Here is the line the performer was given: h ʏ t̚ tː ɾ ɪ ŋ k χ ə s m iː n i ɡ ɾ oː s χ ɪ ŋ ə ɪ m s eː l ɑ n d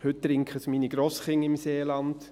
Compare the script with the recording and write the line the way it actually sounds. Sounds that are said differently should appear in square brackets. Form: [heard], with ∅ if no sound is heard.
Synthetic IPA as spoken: h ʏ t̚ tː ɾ ɪ ŋ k χ ə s m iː n i ɡ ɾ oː s χ ɪ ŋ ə ɪ m s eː l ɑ n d